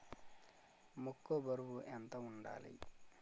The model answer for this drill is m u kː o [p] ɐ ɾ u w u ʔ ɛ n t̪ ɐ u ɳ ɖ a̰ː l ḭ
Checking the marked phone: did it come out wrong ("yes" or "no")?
yes